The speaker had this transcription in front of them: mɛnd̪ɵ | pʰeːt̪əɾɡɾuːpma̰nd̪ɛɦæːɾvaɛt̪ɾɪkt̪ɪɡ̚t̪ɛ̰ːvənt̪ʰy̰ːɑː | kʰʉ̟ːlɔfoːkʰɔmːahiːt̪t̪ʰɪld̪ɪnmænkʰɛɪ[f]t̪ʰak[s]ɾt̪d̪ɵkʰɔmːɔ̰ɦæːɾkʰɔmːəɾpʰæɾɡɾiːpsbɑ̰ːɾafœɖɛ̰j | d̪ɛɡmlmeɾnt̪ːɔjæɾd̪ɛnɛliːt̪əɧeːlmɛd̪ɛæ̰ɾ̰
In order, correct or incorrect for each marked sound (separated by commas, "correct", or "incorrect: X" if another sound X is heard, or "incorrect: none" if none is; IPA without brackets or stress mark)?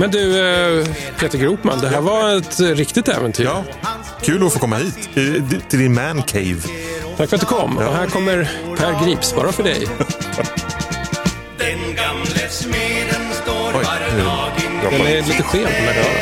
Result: incorrect: v, incorrect: f